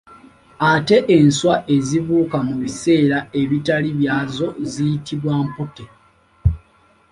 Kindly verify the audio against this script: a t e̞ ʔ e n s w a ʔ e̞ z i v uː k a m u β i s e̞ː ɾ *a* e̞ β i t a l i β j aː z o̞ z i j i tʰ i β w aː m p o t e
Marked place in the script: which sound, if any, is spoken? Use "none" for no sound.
a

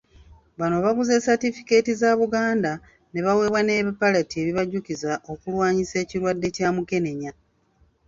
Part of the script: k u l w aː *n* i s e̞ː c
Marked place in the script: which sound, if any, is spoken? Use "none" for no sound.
ɲ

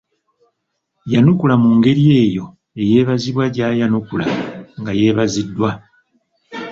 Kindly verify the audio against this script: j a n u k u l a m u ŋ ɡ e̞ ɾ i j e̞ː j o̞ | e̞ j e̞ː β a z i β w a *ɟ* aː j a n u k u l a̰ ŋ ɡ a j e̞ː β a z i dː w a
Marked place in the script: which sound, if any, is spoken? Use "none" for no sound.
ɟ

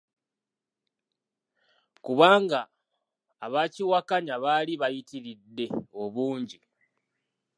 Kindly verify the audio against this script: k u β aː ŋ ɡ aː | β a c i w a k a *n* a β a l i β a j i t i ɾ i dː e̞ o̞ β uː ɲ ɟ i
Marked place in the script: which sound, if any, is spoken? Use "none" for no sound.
ɲ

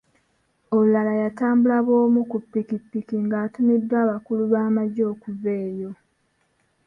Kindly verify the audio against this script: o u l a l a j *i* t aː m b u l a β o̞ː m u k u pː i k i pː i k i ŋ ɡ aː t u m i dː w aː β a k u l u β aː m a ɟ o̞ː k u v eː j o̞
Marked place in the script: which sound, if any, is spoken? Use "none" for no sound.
a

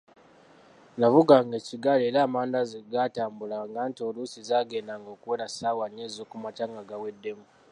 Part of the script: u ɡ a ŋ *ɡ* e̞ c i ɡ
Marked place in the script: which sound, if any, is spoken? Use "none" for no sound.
ɡ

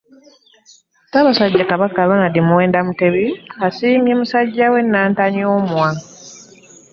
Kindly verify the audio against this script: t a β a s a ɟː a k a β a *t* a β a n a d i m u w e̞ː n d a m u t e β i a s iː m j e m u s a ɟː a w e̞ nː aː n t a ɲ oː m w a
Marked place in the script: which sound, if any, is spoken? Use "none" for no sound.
k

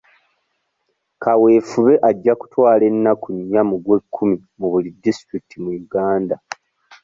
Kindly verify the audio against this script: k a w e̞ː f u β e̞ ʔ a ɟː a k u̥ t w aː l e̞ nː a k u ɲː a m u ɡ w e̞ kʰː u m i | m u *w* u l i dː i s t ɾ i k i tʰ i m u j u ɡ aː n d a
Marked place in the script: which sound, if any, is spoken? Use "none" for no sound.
β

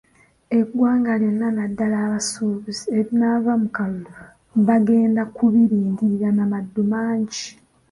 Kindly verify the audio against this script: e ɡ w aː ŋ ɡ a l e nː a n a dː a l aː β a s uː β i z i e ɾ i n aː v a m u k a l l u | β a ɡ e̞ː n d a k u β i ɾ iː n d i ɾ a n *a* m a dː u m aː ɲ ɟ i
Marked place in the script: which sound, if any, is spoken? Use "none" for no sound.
a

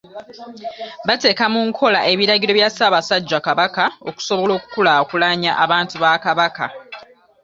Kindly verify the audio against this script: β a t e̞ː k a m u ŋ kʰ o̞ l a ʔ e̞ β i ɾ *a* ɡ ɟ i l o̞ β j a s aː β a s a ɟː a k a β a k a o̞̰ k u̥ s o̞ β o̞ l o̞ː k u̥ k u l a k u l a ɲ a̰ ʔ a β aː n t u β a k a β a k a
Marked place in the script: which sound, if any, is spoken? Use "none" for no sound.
a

